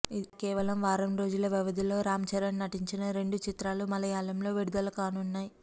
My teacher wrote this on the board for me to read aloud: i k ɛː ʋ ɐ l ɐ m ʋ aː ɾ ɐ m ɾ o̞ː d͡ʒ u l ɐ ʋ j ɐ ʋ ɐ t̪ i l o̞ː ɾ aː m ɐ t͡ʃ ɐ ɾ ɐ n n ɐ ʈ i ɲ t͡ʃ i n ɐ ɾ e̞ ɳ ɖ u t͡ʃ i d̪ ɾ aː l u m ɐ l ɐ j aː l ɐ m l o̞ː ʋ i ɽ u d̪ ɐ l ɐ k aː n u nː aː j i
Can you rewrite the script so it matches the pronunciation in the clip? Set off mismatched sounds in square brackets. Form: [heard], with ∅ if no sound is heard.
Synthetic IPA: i k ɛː ʋ ɐ l ɐ m ʋ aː ɾ ɐ m ɾ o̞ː d͡ʒ u l ɐ ʋ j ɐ ʋ ɐ [d̪] i l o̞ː ɾ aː m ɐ t͡ʃ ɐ ɾ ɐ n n ɐ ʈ i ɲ t͡ʃ i n ɐ ɾ e̞ ɳ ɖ u t͡ʃ i [t̪] ɾ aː l u m ɐ l ɐ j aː l ɐ m l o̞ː ʋ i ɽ u d̪ ɐ l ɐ k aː n u nː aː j i